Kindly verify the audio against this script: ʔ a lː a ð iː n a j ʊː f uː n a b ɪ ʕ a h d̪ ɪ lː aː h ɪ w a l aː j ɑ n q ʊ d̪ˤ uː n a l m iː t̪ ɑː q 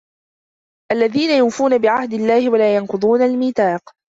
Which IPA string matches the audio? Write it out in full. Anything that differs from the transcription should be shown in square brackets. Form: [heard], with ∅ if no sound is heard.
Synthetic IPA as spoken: ʔ a lː a ð iː n a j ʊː f uː n a b ɪ ʕ a h d̪ ɪ lː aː h ɪ w a l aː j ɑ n q ʊ d̪ˤ uː n a l m iː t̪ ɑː q